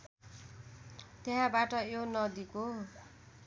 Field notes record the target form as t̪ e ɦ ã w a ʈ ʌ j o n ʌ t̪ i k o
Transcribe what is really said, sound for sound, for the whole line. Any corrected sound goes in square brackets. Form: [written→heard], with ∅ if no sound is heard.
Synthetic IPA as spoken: t̪ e ɦ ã [w→b] a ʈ ʌ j o n ʌ [t̪→d̪] i k o